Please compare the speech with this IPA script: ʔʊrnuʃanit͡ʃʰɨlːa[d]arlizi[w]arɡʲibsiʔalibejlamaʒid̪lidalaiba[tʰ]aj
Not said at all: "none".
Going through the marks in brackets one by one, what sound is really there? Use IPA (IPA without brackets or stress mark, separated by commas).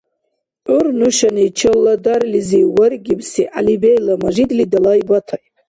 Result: d, w, tʰ